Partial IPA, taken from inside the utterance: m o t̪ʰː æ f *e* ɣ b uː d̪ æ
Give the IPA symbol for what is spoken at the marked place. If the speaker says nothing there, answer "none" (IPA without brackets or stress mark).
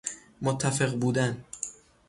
e